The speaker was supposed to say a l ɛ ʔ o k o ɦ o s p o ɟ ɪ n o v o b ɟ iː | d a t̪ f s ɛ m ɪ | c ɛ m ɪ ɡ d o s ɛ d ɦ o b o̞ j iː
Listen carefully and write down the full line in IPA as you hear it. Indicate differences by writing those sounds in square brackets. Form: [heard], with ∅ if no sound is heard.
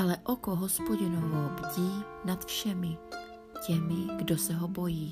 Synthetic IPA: a l ɛ ʔ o k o ɦ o s p o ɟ ɪ n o v o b ɟ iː | [n] a t̪ f [ʃ] ɛ m ɪ | c ɛ m ɪ ɡ d o s ɛ [∅] ɦ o b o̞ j iː